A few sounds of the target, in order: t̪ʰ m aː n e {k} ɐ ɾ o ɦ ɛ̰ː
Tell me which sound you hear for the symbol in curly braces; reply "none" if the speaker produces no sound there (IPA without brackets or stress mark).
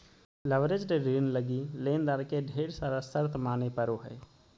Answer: p